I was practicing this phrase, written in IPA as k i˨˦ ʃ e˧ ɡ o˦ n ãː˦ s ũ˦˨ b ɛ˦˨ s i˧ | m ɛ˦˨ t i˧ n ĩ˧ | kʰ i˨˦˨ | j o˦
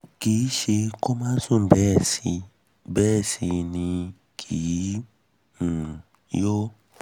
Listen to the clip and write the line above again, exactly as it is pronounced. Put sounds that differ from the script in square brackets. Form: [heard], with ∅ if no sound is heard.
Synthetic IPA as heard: k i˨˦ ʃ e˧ [k] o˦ [m] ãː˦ s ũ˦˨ b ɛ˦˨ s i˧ | [b] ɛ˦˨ [s] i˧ n ĩ˧ | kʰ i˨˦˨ | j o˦

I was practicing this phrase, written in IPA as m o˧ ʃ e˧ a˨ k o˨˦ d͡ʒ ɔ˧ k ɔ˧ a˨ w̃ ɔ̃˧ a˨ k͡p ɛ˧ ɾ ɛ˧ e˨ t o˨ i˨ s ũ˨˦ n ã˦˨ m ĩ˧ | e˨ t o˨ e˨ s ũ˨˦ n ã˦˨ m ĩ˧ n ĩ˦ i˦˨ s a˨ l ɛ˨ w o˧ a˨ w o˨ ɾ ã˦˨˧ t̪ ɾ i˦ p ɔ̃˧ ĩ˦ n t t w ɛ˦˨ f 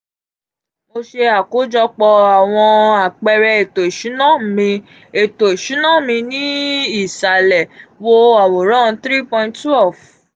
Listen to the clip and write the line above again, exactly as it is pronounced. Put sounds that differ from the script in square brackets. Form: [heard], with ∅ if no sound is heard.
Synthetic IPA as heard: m o˧ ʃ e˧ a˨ k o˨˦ d͡ʒ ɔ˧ [k͡p] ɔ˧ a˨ w̃ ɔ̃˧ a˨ k͡p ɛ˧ ɾ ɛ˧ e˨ t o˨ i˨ [ʃ] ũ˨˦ n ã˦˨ m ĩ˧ | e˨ t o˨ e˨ [ʃ] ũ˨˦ n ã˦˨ m ĩ˧ n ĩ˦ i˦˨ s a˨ l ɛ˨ w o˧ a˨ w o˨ ɾ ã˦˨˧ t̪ ɾ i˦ p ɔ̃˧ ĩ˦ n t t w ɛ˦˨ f

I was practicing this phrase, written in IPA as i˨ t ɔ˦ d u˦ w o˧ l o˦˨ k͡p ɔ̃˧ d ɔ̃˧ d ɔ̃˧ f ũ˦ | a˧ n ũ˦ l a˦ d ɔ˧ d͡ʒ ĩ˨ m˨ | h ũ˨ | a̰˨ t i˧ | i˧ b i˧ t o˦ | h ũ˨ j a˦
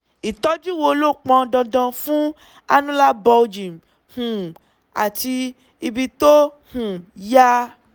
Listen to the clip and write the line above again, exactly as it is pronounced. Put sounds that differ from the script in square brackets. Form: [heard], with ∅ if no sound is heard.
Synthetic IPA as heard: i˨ t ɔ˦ [d͡ʒ] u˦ w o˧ l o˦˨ k͡p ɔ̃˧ d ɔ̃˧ d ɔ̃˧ f ũ˦ | a˧ n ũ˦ l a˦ [b] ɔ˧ d͡ʒ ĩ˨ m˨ | h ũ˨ | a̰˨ t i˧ | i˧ b i˧ t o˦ | h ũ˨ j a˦

